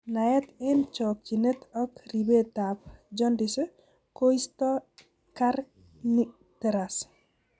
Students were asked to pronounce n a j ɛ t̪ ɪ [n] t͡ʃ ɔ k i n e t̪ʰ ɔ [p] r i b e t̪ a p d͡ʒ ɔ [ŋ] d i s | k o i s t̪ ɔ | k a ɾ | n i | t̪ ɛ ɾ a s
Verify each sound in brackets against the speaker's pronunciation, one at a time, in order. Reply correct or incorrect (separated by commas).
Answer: correct, incorrect, incorrect